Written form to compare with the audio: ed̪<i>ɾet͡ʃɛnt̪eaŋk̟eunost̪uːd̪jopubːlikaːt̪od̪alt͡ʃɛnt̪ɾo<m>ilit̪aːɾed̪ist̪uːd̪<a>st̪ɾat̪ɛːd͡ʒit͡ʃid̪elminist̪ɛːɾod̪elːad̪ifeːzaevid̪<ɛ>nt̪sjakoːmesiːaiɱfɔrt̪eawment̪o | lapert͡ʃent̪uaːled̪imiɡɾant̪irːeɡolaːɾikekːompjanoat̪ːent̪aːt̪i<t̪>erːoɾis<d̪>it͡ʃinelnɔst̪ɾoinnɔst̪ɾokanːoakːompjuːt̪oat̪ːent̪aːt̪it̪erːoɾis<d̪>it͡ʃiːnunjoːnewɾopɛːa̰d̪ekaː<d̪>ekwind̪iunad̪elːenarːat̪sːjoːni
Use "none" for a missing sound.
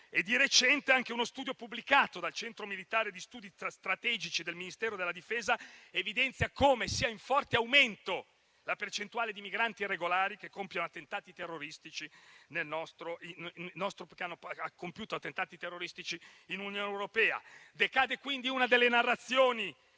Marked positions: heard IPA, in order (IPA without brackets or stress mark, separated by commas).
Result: i, m, i, ɛ, t̪, t̪, t̪, d̪